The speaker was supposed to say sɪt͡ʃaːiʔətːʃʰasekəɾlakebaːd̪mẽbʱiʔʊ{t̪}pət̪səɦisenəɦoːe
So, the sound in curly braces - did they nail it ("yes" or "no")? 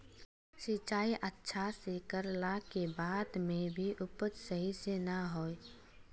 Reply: no